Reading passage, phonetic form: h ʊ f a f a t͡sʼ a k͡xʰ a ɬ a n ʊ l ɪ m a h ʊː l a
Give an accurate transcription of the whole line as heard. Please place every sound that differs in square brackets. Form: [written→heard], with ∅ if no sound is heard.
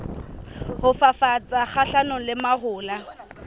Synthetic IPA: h ʊ f a f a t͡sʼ a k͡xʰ a ɬ a n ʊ l ɪ m a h ʊː l a